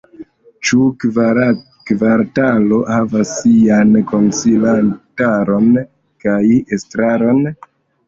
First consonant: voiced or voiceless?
voiceless